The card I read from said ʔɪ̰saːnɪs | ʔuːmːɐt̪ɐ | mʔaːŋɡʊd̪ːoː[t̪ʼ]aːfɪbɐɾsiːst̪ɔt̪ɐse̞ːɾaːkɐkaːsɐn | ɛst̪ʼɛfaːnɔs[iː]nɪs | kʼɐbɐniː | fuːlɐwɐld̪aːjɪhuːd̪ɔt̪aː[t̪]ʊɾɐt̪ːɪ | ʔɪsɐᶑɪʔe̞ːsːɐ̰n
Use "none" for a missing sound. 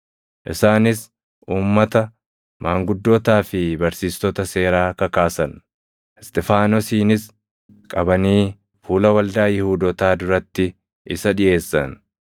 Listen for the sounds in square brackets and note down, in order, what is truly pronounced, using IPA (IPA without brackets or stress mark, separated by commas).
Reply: t̪, iː, d̪